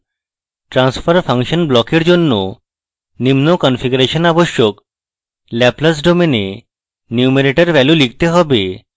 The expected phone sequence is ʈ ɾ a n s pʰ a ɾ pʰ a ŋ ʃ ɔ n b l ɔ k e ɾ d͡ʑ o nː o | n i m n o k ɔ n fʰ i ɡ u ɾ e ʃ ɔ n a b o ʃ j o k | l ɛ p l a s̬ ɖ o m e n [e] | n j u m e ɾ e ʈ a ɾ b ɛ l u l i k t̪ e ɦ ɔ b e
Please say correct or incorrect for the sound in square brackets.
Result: correct